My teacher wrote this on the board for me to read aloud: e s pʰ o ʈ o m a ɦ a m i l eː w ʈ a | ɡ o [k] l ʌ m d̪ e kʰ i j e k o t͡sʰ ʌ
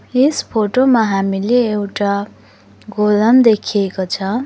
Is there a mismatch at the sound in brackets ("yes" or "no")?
yes